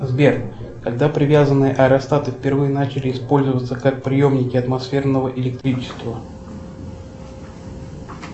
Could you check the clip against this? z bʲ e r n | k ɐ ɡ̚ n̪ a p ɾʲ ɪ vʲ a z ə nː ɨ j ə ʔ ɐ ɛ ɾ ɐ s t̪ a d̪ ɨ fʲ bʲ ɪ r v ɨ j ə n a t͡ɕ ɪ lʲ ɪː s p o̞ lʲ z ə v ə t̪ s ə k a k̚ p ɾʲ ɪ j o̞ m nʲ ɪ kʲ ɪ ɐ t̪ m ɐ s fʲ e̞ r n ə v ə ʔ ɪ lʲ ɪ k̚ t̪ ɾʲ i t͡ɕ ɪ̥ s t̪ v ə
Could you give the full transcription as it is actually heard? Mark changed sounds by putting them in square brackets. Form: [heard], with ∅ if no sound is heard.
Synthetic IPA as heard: z bʲ e r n | k ɐ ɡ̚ [d̪] a p ɾʲ ɪ vʲ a z ə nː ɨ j ə ʔ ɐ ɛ ɾ ɐ s t̪ a [t̪] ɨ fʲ [pʲ] ɪ r v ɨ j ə n a t͡ɕ ɪ lʲ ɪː s p o̞ lʲ z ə v ə t̪ s ə k a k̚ p ɾʲ ɪ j o̞ m nʲ ɪ kʲ ɪ ɐ t̪ m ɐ s fʲ e̞ r n ə v ə ʔ ɪ lʲ ɪ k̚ t̪ ɾʲ i t͡ɕ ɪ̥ s t̪ v ə